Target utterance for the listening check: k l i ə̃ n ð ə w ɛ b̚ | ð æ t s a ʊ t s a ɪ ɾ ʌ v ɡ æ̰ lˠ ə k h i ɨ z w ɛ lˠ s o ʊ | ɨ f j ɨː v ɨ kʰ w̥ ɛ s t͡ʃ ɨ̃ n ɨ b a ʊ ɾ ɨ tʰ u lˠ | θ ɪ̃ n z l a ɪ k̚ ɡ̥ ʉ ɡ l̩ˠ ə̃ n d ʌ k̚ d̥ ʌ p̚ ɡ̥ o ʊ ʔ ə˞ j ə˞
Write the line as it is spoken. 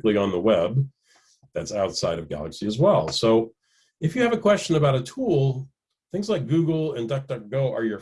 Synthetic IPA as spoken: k l i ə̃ n ð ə w ɛ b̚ | ð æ t s a ʊ t s a ɪ ɾ ʌ v ɡ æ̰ lˠ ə k s i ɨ z w ɛ lˠ s o ʊ | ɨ f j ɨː v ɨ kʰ w̥ ɛ s t͡ʃ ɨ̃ n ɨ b a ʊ ɾ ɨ tʰ u lˠ | θ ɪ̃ ŋ z l a ɪ k̚ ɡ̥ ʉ ɡ l̩ˠ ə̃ n d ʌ k̚ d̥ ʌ k̚ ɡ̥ o ʊ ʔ ə˞ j ə˞

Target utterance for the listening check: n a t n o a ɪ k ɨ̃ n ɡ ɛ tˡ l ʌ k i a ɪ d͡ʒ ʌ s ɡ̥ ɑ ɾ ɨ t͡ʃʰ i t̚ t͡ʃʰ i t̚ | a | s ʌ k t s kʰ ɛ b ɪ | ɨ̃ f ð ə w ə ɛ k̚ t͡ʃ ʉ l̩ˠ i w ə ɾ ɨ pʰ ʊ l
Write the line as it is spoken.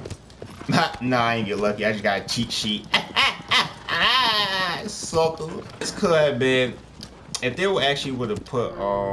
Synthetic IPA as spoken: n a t n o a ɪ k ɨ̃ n ɡ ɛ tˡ l ʌ k i a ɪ d͡ʒ ʌ s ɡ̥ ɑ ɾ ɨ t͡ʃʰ i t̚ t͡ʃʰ i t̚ | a | s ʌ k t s kʰ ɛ b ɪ | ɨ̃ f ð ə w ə æ k̚ t͡ʃ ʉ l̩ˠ i w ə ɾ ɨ pʰ ʊ ɾ

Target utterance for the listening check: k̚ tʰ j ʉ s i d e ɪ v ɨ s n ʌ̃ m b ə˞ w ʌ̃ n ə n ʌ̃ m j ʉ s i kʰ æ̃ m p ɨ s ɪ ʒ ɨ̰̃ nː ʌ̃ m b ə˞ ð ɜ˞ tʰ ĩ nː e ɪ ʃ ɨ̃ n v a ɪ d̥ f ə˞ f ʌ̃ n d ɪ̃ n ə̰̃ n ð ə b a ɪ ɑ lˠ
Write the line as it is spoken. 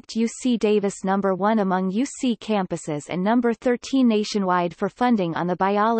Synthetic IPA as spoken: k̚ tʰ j ʉ s i d e ɪ v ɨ s n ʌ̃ m b ə˞ w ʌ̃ n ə m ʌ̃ ŋ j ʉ s i kʰ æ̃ m p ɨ s ɪ z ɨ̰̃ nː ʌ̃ m b ə˞ θ ɜ˞ tʰ ĩ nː e ɪ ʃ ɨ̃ n w a ɪ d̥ f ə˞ f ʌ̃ n d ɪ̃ ŋ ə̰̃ n ð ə b a ɪ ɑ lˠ

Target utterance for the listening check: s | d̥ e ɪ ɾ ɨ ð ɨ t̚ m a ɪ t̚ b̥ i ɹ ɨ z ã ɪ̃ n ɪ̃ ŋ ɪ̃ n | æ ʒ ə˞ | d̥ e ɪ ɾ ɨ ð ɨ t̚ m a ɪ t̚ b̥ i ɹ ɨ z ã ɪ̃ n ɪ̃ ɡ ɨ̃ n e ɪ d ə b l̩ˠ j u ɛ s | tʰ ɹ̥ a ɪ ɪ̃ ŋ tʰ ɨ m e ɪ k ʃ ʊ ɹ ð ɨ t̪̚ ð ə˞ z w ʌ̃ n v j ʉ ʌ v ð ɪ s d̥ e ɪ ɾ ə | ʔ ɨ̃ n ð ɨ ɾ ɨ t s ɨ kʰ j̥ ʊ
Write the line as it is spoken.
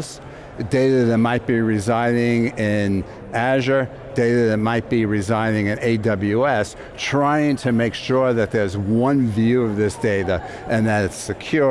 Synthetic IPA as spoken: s | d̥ e ɪ ɾ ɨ ð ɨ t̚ m a ɪ t̚ b̥ i ɹ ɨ z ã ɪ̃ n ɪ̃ ŋ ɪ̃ n | æ ʒ ə˞ | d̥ e ɪ ɾ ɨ ð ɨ t̚ m a ɪ t̚ b̥ i ɹ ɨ z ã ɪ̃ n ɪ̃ ŋ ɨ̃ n e ɪ d ʌ b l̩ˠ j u ɛ s | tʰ ɹ̥ a ɪ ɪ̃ ŋ tʰ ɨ m e ɪ k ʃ ʊ ɹ ð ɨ t̪̚ ð ə˞ z w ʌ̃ n v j ʉ ʌ v ð ɪ s d̥ e ɪ ɾ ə | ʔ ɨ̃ n ð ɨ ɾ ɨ t s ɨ kʰ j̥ ʊ

